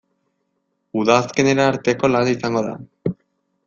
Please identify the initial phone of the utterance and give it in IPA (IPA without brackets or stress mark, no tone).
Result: u